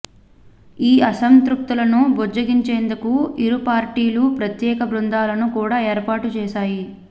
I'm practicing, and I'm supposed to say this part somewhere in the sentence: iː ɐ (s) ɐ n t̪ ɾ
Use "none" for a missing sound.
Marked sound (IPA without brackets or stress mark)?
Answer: s